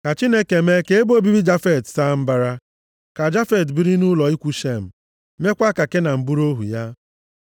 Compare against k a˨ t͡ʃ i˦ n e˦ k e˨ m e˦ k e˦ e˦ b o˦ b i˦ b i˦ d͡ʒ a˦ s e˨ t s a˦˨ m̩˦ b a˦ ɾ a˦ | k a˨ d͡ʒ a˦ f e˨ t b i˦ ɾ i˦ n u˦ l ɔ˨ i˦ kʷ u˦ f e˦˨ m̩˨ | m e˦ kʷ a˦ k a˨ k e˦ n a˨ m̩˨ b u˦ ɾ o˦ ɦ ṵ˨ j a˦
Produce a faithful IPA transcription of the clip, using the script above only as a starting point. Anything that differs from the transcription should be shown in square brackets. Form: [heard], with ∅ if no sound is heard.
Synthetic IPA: k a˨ t͡ʃ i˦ n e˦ k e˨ m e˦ k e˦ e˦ b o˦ b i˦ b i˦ d͡ʒ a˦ [f] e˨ t s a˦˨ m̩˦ b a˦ ɾ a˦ | k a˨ d͡ʒ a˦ f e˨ t b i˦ ɾ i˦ n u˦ l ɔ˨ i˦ kʷ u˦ [ʃ] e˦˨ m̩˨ | m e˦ kʷ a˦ k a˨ k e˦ n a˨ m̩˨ b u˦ ɾ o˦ ɦ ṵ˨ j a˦